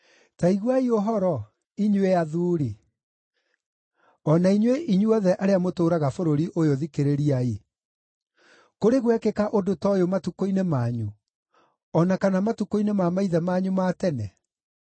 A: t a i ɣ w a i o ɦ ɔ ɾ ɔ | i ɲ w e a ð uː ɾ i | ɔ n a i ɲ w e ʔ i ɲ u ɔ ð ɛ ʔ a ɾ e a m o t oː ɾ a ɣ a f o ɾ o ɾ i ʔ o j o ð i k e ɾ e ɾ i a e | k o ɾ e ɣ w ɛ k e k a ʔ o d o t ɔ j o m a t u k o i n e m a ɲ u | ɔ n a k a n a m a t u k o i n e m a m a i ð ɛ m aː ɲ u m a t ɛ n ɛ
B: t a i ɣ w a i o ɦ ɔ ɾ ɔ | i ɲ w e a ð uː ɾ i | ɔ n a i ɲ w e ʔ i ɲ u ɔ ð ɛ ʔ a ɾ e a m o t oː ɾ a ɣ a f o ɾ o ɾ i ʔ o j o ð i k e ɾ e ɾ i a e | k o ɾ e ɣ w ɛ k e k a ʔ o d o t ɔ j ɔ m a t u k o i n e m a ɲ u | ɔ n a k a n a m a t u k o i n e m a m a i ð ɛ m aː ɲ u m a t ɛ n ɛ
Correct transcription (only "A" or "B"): A